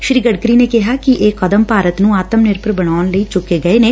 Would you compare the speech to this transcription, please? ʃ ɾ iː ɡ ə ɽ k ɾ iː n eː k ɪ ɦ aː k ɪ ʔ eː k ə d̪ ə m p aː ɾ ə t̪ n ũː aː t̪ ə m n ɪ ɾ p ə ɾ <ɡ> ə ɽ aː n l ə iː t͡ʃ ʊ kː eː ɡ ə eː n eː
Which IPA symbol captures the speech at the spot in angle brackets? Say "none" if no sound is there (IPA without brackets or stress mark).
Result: b